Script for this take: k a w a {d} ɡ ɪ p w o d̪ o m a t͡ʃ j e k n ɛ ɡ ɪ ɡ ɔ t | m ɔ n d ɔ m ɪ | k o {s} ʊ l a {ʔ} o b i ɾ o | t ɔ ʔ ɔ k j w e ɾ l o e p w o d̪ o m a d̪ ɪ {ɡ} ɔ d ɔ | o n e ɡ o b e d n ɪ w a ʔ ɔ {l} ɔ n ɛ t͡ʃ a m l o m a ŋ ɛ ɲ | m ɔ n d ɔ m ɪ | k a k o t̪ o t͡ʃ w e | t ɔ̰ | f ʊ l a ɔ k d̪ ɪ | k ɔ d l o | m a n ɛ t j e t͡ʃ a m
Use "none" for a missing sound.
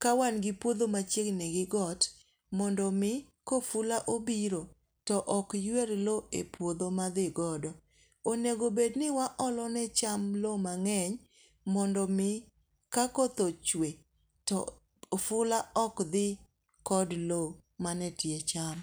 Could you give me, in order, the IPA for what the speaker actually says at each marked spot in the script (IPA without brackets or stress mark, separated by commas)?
n, f, ʔ, ɡ, l